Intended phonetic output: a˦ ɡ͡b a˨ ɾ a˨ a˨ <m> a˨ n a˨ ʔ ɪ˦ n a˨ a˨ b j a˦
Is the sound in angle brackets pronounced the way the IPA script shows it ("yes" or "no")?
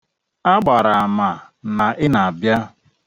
yes